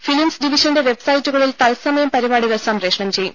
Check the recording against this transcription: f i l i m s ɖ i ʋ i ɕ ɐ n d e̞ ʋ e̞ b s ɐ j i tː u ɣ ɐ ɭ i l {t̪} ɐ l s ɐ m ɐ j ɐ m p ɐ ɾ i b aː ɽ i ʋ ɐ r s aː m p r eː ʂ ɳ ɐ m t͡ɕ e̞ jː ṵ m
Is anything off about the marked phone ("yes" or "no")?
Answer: no